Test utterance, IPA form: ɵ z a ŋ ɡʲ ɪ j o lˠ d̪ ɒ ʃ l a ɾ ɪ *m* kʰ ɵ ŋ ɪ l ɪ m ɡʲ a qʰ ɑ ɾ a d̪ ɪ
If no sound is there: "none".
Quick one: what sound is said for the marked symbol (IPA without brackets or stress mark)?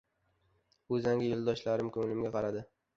m